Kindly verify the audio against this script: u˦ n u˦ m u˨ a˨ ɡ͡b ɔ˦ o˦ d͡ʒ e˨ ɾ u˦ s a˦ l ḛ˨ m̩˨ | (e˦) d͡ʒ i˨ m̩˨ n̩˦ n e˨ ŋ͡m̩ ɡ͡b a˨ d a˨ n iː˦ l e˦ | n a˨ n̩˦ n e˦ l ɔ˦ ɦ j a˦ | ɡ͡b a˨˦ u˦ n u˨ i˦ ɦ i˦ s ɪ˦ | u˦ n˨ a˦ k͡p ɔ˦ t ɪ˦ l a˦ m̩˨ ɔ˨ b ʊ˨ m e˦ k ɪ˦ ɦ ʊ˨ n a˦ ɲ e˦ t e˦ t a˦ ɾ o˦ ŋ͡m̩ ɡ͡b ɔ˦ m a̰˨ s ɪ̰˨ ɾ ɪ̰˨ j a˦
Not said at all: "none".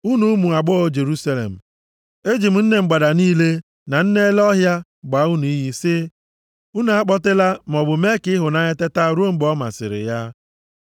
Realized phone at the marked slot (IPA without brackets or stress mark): e˦